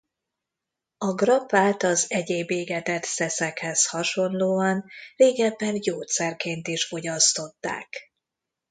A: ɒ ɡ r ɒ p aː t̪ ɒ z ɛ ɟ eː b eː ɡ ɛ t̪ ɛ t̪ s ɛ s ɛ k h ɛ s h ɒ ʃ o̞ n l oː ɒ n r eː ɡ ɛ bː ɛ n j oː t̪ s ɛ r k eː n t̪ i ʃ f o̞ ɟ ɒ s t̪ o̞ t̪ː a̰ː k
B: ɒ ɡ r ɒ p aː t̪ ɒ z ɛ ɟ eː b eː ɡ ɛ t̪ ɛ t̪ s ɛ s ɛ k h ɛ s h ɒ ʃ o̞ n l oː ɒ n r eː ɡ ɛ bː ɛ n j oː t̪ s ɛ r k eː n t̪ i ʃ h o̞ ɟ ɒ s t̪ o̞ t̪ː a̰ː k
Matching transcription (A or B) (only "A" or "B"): A